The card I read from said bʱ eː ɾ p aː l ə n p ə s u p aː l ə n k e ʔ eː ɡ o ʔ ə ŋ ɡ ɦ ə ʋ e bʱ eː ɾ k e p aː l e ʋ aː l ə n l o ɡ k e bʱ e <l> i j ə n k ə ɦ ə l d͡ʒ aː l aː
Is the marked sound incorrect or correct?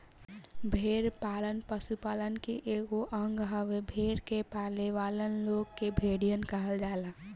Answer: incorrect: ɽ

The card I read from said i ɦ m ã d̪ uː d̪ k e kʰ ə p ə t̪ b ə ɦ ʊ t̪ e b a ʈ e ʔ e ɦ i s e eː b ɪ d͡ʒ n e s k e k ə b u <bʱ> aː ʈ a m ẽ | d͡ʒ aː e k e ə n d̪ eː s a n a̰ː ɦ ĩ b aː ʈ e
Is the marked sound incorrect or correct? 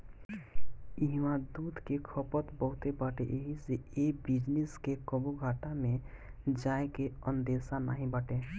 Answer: incorrect: ɡʱ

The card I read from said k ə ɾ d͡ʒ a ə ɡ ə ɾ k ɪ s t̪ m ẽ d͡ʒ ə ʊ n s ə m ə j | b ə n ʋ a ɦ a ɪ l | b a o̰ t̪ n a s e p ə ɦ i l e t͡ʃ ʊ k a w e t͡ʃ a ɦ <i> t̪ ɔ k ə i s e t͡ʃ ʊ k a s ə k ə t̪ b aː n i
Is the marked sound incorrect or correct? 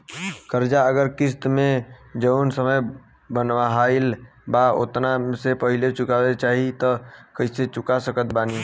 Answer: correct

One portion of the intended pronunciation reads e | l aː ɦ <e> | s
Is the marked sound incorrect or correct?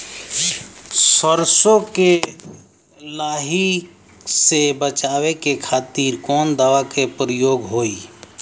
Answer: incorrect: i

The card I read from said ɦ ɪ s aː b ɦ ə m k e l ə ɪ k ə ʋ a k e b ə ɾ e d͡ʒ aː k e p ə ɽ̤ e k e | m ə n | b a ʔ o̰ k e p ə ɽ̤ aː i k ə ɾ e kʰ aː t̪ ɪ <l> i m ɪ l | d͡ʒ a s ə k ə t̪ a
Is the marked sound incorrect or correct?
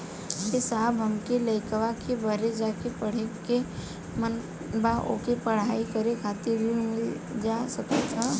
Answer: incorrect: ɾ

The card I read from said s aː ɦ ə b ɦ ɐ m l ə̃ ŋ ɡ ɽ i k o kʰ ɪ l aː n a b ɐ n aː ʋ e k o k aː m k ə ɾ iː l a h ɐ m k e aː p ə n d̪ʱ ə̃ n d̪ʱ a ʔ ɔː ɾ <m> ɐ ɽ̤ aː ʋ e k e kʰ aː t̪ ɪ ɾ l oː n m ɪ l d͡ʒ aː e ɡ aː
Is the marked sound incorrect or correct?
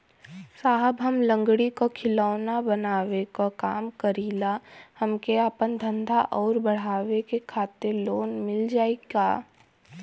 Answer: incorrect: b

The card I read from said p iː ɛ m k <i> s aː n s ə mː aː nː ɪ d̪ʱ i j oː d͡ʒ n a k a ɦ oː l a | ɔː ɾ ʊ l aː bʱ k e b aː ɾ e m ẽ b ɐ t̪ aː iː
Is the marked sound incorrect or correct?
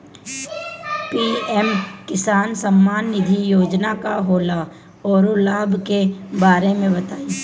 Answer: incorrect: ɪ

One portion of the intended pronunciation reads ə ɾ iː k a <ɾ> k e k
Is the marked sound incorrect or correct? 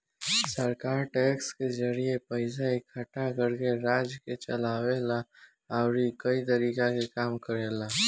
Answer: incorrect: none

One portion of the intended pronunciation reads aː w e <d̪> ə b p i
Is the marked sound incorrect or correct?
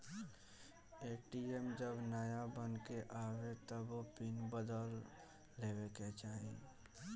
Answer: incorrect: t̪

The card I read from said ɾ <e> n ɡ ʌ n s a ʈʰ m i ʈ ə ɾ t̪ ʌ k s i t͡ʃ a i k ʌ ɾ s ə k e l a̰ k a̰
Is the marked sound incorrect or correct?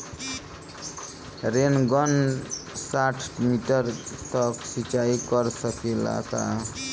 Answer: correct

